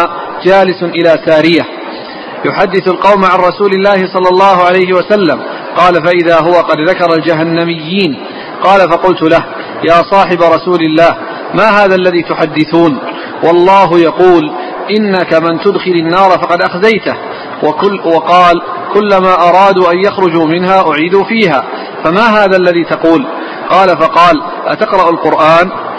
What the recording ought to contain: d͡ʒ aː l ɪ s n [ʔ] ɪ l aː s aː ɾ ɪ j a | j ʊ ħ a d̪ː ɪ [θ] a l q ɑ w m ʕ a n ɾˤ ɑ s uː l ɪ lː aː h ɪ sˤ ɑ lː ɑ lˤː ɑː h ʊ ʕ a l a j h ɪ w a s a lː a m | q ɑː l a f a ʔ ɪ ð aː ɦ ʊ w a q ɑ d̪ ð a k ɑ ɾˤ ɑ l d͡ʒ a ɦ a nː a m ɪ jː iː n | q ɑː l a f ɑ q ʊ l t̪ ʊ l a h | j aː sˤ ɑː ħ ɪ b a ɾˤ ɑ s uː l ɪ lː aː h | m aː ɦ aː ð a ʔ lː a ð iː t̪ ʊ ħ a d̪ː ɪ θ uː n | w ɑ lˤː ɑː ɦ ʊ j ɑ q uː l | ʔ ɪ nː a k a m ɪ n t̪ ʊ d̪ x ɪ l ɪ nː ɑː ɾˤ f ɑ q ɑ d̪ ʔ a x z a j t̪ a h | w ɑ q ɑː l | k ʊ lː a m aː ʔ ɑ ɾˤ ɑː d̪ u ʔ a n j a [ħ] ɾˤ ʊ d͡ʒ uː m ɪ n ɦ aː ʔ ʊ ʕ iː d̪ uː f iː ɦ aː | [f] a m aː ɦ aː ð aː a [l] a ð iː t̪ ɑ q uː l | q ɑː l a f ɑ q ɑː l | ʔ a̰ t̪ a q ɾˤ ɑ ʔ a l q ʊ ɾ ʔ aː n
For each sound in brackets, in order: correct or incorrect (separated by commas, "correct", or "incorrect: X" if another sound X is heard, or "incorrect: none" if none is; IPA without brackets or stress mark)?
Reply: correct, correct, incorrect: x, correct, incorrect: lː